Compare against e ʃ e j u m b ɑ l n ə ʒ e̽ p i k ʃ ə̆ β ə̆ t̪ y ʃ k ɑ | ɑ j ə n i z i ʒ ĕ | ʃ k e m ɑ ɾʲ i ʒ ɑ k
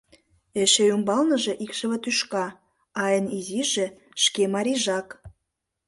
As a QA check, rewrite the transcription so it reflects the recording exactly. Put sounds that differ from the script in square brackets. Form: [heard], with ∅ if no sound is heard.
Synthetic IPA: e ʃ e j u m b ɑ l n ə ʒ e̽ [ʔ] i k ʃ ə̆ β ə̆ t̪ y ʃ k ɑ | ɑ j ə n i z i ʒ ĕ | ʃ k e m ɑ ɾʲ i ʒ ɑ k